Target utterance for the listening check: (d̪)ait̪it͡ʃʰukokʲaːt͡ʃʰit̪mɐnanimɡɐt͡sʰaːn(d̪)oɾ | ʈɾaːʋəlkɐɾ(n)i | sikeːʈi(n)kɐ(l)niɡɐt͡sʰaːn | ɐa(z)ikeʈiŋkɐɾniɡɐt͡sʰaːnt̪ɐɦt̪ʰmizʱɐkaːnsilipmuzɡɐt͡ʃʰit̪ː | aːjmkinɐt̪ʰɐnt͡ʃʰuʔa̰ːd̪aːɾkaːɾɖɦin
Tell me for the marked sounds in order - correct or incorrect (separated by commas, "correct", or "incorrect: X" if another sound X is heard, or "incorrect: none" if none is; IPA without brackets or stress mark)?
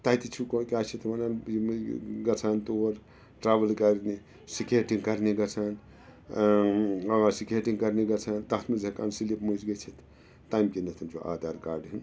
incorrect: t̪, incorrect: t̪, correct, incorrect: ŋ, incorrect: ɾ, incorrect: s